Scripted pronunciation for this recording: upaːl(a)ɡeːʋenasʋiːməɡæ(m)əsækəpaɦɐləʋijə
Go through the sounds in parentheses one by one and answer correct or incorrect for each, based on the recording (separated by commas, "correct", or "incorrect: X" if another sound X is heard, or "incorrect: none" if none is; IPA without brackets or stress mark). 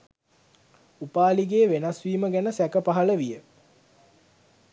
incorrect: i, incorrect: n